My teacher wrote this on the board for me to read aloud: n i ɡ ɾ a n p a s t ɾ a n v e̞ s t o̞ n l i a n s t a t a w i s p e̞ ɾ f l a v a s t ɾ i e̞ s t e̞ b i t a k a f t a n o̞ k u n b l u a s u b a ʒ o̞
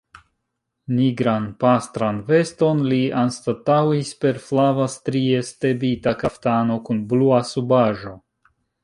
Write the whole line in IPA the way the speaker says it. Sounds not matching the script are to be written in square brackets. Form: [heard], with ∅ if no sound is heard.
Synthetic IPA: n i ɡ ɾ a n p a s t ɾ a n v e̞ s t o̞ n l i a n s t a t a w i s p e̞ ɾ f l a v a s t ɾ i e̞ s t e̞ b i t a k a f t a n o̞ k u n b l u a s u b a ʒ o̞